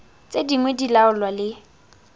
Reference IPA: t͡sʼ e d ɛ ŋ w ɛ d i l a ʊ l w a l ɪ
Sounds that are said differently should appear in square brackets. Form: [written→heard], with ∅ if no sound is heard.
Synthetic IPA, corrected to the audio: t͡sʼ e d [ɛ→i] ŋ w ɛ d i l a ʊ l w a l ɪ